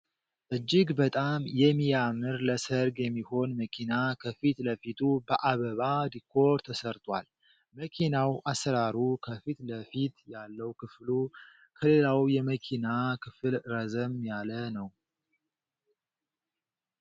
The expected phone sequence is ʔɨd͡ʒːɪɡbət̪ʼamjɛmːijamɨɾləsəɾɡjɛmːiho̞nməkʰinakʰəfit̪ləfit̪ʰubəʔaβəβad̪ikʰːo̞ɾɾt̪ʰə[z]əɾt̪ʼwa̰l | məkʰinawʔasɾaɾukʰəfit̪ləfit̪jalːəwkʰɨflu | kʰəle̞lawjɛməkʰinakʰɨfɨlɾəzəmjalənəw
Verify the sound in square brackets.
incorrect: s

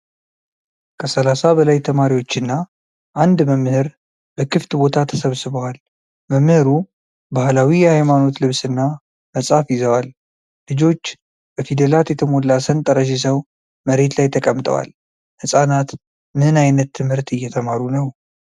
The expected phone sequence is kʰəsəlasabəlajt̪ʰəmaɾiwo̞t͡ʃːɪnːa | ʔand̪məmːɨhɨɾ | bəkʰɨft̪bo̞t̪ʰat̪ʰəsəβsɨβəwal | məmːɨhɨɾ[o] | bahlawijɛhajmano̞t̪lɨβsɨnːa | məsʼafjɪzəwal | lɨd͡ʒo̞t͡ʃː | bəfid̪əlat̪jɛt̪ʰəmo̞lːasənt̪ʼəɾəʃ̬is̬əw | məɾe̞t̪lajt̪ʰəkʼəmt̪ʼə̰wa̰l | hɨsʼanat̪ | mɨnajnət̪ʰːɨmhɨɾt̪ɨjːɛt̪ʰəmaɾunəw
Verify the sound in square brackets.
incorrect: u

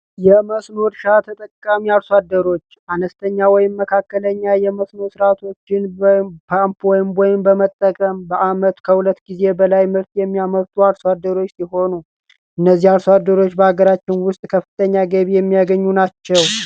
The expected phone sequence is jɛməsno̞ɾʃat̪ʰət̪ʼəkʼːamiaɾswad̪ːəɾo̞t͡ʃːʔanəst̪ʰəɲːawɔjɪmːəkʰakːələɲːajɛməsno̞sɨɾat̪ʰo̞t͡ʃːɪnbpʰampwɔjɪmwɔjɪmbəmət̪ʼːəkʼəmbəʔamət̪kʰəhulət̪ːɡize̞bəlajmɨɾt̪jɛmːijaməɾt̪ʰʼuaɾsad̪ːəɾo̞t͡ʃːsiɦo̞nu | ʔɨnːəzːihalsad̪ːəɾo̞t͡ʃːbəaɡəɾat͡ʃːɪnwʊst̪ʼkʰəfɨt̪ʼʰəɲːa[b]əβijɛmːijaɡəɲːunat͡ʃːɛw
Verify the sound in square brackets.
incorrect: ɡ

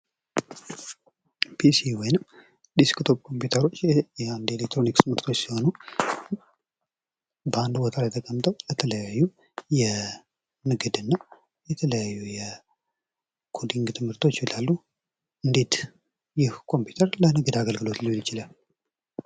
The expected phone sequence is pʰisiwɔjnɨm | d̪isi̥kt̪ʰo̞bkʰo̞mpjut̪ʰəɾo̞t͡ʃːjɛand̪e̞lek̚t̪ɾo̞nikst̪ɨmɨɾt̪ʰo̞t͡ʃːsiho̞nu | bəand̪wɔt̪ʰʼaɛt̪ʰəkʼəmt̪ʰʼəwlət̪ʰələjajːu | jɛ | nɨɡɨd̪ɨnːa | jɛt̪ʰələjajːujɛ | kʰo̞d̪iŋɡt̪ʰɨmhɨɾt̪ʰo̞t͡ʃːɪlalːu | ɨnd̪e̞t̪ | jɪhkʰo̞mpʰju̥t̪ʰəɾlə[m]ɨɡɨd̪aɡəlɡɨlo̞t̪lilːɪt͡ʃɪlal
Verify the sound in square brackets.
incorrect: n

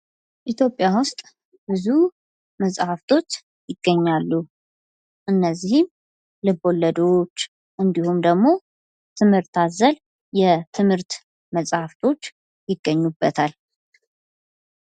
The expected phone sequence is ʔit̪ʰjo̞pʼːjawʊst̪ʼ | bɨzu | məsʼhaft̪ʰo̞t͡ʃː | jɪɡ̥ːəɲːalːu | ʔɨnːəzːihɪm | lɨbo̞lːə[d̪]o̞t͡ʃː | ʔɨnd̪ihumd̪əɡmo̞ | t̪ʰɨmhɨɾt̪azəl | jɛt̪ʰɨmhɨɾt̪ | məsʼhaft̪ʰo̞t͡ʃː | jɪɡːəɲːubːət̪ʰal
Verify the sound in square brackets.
correct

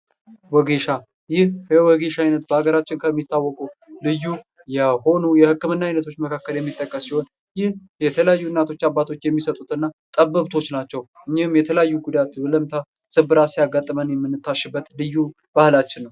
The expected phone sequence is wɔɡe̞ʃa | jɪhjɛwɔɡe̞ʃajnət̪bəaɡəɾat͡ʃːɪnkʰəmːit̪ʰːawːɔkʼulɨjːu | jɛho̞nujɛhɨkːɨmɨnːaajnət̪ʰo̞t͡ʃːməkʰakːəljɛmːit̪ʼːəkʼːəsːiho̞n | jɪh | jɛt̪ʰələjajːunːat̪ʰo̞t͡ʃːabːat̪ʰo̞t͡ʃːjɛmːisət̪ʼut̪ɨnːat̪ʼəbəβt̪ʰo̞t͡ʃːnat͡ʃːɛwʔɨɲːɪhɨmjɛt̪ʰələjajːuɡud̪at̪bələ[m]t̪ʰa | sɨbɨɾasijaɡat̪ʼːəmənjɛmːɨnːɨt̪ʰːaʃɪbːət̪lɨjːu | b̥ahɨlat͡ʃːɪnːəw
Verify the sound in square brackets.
correct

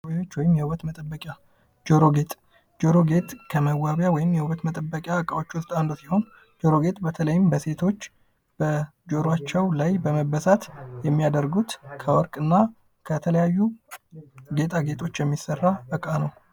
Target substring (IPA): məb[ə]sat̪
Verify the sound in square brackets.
correct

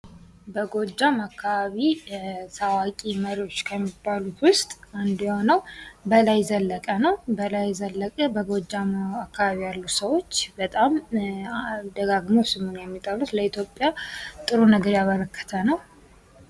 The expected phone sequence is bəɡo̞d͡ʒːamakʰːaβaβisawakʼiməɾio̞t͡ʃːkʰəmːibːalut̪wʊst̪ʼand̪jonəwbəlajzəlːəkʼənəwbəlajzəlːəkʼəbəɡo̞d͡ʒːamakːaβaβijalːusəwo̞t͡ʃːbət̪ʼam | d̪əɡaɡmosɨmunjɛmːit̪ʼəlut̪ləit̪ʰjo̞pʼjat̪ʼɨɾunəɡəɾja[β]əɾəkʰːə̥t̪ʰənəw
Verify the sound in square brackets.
correct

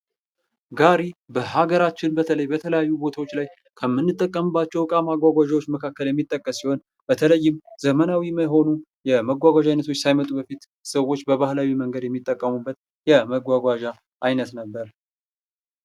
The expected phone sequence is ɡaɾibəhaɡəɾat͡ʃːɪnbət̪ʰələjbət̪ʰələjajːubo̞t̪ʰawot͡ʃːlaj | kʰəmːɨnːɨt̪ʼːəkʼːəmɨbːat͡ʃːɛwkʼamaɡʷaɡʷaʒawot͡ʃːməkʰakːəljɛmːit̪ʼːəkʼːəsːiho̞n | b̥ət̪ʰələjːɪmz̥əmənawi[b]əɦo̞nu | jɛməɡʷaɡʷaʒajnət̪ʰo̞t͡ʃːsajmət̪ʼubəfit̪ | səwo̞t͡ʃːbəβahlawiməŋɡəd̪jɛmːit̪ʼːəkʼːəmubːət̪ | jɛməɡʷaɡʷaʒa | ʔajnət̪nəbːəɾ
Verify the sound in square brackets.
incorrect: m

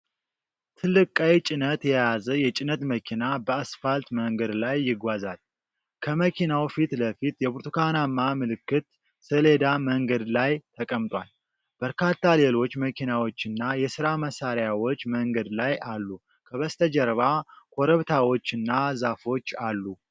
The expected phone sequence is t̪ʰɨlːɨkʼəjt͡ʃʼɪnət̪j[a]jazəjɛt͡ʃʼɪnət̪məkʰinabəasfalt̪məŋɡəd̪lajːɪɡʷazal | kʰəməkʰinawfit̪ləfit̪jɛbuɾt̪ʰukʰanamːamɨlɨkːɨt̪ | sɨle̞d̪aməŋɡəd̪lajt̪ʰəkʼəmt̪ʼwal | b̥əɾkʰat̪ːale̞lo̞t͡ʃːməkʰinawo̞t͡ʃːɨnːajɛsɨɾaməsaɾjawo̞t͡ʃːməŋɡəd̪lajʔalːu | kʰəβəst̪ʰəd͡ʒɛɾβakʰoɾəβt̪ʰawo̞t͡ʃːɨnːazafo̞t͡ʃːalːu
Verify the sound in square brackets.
incorrect: ɛ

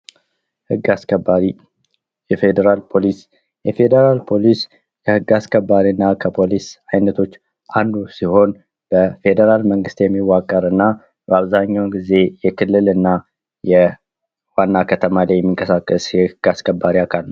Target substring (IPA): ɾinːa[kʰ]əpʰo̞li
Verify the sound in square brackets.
correct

